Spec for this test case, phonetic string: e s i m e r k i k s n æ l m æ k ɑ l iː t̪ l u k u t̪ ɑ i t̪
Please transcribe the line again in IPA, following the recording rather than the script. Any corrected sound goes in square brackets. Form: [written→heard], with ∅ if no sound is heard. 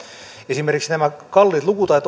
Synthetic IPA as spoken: e s i m e r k i k s n æ [l→∅] m æ k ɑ [l→lː] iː t̪ l u k u t̪ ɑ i t̪